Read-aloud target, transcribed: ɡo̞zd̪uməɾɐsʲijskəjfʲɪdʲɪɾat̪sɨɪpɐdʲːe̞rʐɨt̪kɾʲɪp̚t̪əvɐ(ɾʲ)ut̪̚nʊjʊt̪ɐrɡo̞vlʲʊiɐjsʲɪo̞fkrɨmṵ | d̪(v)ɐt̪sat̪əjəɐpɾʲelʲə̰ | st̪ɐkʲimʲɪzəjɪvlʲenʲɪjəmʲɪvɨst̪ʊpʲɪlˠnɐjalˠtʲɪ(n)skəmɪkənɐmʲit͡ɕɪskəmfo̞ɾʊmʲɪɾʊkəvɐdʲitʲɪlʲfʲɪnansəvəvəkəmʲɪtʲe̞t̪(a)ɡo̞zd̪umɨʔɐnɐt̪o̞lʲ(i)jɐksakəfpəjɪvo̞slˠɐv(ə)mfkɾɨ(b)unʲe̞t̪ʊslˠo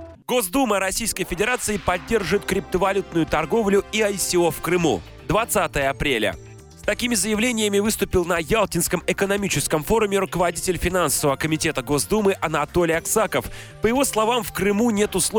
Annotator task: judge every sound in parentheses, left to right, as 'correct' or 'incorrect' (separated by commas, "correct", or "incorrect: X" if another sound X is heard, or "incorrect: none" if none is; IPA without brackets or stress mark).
incorrect: lʲ, correct, correct, incorrect: ə, incorrect: ɪ, incorrect: a, incorrect: m